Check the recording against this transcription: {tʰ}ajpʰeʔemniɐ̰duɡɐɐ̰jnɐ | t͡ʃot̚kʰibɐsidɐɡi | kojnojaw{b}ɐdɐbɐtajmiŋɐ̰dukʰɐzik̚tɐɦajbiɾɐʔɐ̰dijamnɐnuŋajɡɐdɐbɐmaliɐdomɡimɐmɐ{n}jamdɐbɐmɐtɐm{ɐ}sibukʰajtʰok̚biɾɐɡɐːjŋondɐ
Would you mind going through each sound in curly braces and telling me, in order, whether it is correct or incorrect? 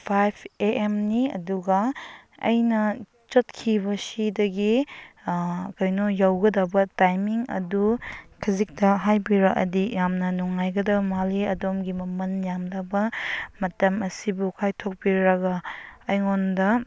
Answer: incorrect, incorrect, correct, correct

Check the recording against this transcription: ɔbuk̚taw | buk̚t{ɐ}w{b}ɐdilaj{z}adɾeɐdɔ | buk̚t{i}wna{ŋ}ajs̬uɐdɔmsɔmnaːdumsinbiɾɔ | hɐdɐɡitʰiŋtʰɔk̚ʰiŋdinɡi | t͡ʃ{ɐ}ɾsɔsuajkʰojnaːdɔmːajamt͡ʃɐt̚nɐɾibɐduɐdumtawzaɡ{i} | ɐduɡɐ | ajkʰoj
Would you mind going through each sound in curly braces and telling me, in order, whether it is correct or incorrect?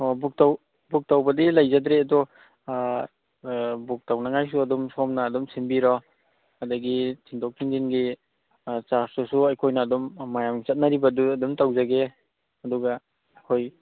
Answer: incorrect, correct, correct, incorrect, correct, incorrect, incorrect

